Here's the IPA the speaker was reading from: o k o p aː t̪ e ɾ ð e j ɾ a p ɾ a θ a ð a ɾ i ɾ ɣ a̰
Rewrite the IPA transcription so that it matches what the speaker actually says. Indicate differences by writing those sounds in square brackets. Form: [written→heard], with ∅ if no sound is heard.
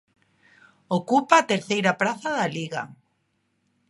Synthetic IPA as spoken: o k [o→u] p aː t̪ e ɾ [ð→θ] e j ɾ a p ɾ a θ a ð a [ɾ→l] i [ɾ→∅] ɣ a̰

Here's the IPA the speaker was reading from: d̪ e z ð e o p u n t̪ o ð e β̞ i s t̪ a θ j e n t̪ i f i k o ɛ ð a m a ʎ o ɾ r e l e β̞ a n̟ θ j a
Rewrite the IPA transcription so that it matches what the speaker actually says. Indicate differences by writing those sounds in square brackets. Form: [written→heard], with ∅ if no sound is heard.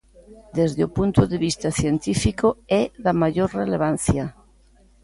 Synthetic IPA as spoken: d̪ e z ð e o p u n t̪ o ð e β̞ i s t̪ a θ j e n t̪ i f i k o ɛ ð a m a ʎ o ɾ r e l e β̞ a n̟ θ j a

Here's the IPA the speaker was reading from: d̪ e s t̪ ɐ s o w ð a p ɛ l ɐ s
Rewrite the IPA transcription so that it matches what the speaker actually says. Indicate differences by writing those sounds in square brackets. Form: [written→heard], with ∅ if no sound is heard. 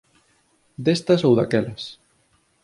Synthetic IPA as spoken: d̪ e s t̪ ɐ s o w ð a [p→k] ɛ l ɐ s

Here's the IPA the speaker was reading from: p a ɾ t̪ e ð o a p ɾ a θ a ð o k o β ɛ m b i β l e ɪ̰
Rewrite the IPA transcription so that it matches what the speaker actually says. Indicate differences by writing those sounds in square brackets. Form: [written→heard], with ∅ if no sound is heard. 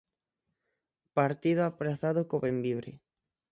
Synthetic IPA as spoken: p a ɾ t̪ [e→i] ð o a p ɾ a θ a ð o k o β [ɛ→e] m b i β [l→ɾ] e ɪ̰

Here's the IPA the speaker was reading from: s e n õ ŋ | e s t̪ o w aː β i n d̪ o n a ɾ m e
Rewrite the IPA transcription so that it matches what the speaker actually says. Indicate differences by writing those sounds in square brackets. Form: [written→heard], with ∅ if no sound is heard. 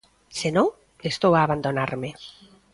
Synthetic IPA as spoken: s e n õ ŋ | e s t̪ o w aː β [i→a] n d̪ o n a ɾ m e

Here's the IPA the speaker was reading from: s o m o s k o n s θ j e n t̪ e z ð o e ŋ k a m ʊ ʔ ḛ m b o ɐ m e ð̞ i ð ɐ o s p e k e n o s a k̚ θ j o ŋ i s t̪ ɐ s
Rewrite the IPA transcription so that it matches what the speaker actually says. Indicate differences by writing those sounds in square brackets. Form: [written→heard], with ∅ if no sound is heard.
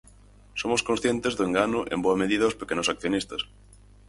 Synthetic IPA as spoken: s o m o s k o n s θ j e n t̪ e z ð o e ŋ [k→ɡ] a [m→n] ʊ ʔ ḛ m b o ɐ m e ð̞ i ð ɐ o s p e k e n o s a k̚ θ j o [ŋ→n] i s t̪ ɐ s

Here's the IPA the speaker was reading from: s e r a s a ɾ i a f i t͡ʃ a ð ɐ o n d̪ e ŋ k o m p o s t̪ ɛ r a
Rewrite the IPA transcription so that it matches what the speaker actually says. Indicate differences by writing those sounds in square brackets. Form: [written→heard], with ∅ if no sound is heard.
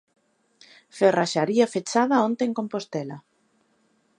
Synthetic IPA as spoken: [s→f] e r a [s→ʃ] a ɾ i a f [i→e] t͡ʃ a ð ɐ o n [d̪→t̪] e ŋ k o m p o s t̪ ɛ [r→l] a

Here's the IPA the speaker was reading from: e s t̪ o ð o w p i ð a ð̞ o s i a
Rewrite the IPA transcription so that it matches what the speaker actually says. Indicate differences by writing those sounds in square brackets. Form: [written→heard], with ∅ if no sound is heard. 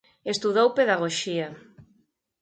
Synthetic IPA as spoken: e s t̪ [o→u] ð o w p [i→e] ð a [ð̞→ɣ̞] o [s→ʃ] i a

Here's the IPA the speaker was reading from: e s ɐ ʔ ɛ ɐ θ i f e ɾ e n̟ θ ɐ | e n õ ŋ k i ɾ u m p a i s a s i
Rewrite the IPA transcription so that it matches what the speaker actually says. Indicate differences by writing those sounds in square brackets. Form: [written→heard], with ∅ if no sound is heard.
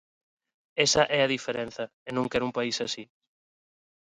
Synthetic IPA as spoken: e s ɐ ʔ ɛ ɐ [θ→ð] i f e ɾ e n̟ θ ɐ | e n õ ŋ k [i→ɛ] ɾ u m p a i s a s i

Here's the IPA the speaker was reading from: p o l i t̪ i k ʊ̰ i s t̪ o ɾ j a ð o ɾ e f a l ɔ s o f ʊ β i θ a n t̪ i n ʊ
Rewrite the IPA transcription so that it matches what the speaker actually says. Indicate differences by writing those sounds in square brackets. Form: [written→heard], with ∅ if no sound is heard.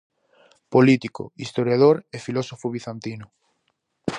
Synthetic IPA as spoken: p o l i t̪ i k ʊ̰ i s t̪ o ɾ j a ð o ɾ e f [a→i] l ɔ s o f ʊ β i θ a n t̪ i n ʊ

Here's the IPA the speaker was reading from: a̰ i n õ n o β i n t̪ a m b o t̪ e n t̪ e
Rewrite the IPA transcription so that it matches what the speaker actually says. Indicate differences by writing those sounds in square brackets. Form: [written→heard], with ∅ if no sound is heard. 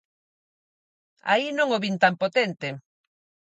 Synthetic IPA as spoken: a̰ i n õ [n→ŋ] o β i n t̪ a m [b→p] o t̪ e n t̪ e

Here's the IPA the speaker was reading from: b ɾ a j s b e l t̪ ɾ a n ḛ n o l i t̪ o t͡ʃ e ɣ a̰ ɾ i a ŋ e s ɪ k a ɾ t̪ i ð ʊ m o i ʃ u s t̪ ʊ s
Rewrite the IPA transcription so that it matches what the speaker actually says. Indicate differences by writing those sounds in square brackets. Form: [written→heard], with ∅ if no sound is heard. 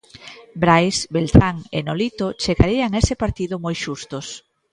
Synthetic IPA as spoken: b ɾ a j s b e l t̪ ɾ a [n→ŋ] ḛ n o l i t̪ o t͡ʃ e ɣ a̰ ɾ i a ŋ e s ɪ [k→p] a ɾ t̪ i ð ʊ m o [i→j] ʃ u s t̪ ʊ s

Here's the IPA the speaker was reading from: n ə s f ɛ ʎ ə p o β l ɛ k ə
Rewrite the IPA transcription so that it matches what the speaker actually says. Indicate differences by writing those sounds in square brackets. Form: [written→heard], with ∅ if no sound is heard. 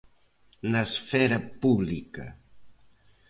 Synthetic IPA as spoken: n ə s f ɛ [ʎ→ɾ] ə p [o→u] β l [ɛ→i] k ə

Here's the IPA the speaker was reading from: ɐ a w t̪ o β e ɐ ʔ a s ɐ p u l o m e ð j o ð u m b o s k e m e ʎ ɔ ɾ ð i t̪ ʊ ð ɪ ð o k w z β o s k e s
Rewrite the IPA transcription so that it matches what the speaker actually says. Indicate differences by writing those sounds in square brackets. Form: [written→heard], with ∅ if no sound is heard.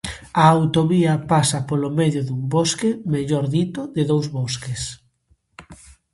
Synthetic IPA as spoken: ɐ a w t̪ o β [e→i] ɐ [ʔ→p] a s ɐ p [u→o] l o m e ð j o ð u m b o s k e m e ʎ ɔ ɾ ð i t̪ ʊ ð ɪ ð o [k→∅] w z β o s k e s

